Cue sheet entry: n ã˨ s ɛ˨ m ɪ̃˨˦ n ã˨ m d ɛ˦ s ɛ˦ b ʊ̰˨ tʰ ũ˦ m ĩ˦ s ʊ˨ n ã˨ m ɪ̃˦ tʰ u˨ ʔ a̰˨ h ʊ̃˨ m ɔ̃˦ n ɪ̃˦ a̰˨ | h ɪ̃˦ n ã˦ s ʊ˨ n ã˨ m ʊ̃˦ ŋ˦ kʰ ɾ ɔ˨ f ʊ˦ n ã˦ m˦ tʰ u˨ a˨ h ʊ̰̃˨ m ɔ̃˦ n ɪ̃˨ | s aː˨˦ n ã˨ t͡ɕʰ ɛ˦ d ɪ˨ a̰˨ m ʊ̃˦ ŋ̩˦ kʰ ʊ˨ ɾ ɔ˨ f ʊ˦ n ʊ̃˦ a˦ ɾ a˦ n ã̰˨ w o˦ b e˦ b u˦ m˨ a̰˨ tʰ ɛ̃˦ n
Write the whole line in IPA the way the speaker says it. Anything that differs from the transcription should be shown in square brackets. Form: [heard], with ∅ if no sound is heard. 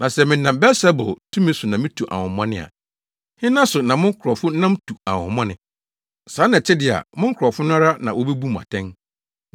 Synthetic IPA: n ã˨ s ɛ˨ m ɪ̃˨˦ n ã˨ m [b] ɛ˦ s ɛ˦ b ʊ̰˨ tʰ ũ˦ m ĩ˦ s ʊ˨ n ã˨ m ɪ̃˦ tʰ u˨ ʔ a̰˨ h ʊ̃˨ m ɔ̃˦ n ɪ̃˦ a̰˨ | h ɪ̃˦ n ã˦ s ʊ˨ n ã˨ m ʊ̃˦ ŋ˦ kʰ ɾ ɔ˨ f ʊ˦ n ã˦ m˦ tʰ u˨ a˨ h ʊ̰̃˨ m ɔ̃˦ n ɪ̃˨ | s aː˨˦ n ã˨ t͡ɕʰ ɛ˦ d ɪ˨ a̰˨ m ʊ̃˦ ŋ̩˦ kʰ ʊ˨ ɾ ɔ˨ f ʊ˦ n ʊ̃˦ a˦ ɾ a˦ n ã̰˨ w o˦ b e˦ b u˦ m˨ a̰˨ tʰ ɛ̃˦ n